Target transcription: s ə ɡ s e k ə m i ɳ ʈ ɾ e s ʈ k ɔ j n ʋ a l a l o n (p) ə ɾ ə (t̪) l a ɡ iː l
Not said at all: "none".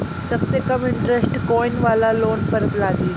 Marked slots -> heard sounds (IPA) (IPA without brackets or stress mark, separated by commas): p, t̪